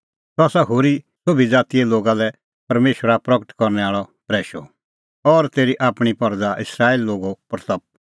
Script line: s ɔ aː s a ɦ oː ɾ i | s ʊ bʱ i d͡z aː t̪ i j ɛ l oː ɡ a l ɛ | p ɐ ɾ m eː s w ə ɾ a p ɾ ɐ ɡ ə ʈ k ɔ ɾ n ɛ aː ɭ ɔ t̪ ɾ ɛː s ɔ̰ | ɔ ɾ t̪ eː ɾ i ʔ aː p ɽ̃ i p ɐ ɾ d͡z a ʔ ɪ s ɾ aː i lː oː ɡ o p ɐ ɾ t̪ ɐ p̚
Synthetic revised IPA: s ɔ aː s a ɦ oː ɾ i | s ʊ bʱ i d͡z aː t̪ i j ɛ l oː ɡ a l ɛ | p ɐ ɾ m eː ʃ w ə ɾ a p ɾ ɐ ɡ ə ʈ k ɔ ɾ n ɛ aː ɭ ɔ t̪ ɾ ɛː ʃ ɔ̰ | ɔ ɾ t̪ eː ɾ i ʔ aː p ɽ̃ i p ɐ ɾ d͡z a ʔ ɪ s ɾ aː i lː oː ɡ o p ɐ ɾ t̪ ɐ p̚